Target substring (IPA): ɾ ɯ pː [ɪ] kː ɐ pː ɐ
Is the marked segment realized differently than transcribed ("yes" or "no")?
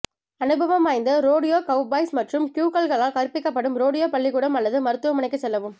no